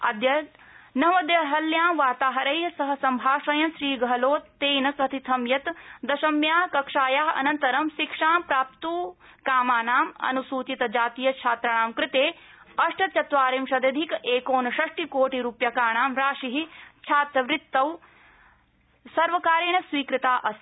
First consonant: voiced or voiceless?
voiced